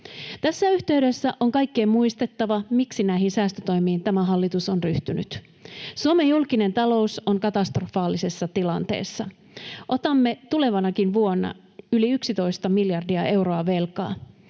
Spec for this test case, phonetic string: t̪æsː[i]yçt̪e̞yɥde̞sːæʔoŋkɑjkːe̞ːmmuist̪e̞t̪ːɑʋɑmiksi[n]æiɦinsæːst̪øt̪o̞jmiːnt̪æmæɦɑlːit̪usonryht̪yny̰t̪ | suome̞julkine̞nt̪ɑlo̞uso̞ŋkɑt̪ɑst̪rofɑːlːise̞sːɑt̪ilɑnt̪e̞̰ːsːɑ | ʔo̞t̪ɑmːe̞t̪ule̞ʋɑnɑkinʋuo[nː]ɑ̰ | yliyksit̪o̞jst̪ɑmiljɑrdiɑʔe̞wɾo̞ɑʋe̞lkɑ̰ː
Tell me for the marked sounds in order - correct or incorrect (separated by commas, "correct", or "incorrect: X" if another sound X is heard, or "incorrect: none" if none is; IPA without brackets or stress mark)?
incorrect: æ, correct, correct